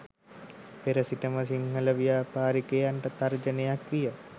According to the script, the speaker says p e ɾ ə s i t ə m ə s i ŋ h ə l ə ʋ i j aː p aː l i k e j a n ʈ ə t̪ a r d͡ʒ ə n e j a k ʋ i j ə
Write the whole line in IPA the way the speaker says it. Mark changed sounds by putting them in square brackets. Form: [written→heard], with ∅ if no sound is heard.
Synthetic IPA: p e ɾ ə s i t ə m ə s i ŋ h ə l ə ʋ i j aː p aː [l→ɾ] i k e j a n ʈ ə t̪ a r d͡ʒ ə n e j a k ʋ i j ə